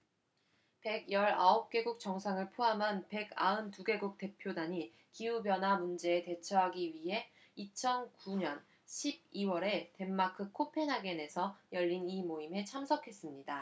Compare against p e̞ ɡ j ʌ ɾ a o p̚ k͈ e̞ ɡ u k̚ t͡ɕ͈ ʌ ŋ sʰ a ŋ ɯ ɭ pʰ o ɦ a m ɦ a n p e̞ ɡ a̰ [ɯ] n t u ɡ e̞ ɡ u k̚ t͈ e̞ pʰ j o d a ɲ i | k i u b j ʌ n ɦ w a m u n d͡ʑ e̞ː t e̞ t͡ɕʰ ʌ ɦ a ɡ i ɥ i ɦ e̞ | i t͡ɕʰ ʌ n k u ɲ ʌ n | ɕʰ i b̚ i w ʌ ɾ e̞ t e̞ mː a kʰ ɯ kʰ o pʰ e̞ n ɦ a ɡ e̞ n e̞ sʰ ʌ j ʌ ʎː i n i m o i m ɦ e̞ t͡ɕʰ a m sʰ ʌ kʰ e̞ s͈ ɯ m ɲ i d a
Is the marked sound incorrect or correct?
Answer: correct